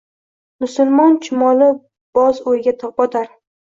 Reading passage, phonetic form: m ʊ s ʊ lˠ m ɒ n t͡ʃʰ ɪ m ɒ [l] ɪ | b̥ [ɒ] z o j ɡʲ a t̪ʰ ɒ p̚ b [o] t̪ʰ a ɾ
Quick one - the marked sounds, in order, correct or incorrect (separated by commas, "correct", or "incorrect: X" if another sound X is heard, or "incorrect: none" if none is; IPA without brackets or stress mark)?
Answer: correct, correct, incorrect: ɒ